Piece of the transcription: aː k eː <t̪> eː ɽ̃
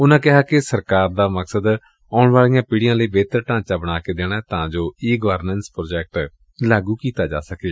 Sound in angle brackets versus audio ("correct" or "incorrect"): incorrect